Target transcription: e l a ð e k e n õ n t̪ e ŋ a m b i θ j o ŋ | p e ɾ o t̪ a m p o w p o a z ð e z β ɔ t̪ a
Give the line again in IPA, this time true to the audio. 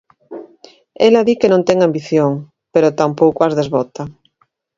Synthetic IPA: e l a ð i k e n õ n t̪ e ŋ a m b i θ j o ŋ | p e ɾ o t̪ a m p o w k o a z ð e z β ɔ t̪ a